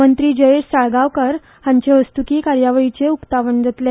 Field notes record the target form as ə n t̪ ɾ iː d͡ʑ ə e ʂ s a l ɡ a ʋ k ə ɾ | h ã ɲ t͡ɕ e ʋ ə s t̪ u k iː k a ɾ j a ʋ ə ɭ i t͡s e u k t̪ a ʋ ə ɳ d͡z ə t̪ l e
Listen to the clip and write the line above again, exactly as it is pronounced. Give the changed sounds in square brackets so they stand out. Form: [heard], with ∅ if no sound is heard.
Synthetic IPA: ə n t̪ ɾ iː d͡ʑ ə e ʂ s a [ɭ] ɡ a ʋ k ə ɾ | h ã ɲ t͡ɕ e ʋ ə s t̪ u k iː k a ɾ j a ʋ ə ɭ i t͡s e u k t̪ a ʋ ə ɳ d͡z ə t̪ l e